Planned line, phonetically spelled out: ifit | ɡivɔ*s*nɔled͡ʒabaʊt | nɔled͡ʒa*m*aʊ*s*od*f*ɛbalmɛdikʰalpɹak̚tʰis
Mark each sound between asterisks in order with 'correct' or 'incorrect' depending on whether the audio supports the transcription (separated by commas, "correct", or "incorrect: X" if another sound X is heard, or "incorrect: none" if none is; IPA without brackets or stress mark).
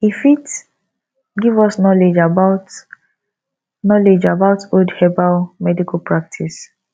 correct, incorrect: b, incorrect: t, incorrect: h